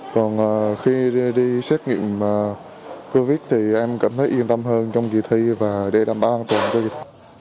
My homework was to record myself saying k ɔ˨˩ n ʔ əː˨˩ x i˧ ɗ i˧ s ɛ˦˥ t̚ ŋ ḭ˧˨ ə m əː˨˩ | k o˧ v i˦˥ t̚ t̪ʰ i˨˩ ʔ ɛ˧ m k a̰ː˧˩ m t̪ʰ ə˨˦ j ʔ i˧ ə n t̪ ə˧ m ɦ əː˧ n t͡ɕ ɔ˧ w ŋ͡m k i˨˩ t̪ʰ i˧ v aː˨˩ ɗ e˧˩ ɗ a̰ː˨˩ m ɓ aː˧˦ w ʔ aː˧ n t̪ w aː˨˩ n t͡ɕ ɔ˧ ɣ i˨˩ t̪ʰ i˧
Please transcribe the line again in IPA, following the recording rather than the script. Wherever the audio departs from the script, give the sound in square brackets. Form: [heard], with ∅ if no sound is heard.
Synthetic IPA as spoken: k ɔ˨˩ n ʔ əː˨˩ x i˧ ɗ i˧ s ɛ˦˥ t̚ ŋ ḭ˧˨ ə m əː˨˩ | k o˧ v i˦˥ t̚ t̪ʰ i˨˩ ʔ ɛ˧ m k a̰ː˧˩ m t̪ʰ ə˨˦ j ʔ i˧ ə n t̪ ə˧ m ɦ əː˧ n t͡ɕ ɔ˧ w ŋ͡m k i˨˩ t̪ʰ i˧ v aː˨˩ ɗ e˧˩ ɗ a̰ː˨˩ m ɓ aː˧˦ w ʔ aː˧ n t̪ w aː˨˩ n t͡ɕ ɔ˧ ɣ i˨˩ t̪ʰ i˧